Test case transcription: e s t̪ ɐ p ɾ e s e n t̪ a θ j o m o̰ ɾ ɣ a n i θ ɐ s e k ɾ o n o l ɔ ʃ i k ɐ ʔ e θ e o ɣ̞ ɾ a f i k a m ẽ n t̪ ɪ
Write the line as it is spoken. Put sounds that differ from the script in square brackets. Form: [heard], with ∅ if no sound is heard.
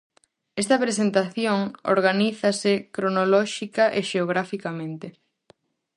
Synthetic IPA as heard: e s t̪ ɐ p ɾ e s e n t̪ a θ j o [ŋ] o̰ ɾ ɣ a n i θ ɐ s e k ɾ o n o l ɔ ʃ i k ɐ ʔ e [ʃ] e o ɣ̞ ɾ a f i k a m ẽ n t̪ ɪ